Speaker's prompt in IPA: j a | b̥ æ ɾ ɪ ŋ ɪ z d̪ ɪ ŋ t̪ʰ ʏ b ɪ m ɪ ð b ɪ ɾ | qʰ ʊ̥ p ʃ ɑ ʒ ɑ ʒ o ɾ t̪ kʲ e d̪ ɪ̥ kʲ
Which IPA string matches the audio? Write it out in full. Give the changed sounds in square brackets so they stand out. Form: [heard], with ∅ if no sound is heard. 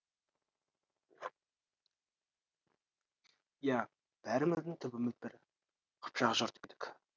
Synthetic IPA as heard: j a | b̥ æ ɾ ɪ [m] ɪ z d̪ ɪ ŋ t̪ʰ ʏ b ɪ m ɪ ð b ɪ ɾ | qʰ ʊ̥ p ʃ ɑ [ʁ] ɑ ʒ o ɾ t̪ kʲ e d̪ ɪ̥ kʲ